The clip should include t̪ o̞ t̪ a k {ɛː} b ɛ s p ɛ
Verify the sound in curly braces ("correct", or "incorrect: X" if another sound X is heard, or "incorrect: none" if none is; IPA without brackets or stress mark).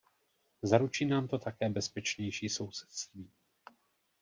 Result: correct